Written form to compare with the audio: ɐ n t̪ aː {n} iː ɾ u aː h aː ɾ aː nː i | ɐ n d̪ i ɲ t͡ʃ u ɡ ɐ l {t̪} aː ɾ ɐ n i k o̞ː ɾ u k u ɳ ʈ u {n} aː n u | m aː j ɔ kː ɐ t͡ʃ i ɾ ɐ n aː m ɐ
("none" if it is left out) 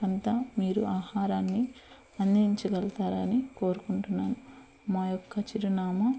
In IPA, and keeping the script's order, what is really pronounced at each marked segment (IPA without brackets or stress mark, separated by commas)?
m, t̪, nː